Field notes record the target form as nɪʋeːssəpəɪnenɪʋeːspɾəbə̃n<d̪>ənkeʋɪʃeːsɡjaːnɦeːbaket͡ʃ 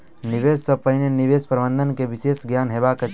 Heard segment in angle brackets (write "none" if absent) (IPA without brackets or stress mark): d̪